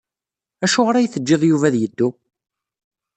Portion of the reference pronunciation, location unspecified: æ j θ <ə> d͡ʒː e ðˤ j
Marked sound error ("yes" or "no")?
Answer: no